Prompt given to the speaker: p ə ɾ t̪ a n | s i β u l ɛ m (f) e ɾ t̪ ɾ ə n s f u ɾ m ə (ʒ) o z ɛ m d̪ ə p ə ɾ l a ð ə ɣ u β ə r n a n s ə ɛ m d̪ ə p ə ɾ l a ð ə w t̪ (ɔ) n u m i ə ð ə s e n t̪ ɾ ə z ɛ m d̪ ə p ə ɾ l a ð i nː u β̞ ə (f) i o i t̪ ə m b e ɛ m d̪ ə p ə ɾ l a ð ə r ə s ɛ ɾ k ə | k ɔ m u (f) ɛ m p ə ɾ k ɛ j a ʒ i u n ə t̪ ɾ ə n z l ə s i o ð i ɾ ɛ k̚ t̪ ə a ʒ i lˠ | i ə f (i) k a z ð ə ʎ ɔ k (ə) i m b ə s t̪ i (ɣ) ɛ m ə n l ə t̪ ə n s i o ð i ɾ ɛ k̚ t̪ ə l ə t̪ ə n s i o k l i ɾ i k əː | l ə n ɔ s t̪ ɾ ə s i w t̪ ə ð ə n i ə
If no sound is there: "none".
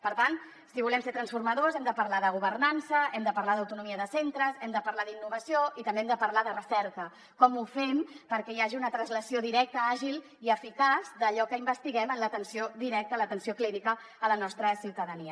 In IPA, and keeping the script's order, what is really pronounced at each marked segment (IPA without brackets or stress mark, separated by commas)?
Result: s, ð, u, s, f, i, ə, ɣ